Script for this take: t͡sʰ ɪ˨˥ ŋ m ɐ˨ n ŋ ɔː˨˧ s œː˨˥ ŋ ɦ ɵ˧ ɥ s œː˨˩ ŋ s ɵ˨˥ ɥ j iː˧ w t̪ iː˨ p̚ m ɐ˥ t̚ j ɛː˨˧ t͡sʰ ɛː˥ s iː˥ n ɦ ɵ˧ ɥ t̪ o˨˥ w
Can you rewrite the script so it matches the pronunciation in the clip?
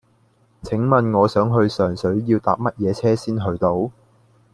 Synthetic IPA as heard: t͡sʰ ɪ˨˥ ŋ m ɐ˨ n ŋ ɔː˨˧ s œː˨˥ ŋ ɦ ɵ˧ ɥ s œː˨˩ ŋ s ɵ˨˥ ɥ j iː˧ w t̪ aː˨ p̚ m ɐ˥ t̚ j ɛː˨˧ t͡sʰ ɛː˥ s iː˥ n ɦ ɵ˧ ɥ t̪ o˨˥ w